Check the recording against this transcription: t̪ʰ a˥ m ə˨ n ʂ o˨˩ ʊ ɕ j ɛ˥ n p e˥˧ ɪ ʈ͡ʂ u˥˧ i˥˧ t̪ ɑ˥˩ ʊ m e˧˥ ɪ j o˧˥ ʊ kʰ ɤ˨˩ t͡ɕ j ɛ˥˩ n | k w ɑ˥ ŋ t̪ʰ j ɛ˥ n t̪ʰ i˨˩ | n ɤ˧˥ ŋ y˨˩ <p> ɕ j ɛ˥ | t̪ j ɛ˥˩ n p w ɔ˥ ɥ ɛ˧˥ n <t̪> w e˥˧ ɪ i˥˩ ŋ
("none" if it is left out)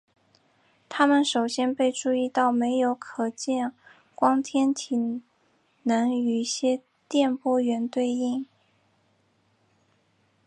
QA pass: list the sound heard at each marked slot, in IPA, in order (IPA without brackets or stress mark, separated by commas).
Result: none, t̪